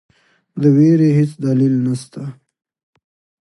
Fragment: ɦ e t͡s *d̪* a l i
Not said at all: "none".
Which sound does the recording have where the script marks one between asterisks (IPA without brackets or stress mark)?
d̪